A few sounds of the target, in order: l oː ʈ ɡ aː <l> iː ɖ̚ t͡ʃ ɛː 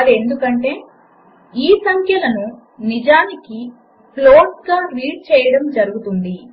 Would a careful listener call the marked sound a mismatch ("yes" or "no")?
yes